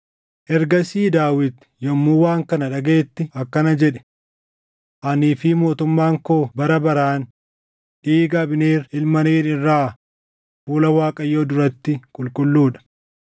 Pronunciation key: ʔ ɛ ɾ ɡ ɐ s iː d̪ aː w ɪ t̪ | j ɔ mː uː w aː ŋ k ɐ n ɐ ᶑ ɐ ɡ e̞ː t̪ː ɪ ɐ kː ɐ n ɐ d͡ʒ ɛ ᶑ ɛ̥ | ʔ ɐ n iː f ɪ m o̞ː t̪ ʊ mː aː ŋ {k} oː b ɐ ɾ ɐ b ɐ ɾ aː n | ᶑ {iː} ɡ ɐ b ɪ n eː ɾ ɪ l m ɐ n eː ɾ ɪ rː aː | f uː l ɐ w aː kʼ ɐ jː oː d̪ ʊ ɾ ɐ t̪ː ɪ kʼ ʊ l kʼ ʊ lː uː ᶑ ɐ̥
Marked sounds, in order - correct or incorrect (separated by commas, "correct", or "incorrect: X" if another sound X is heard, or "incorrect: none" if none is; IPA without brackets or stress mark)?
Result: correct, correct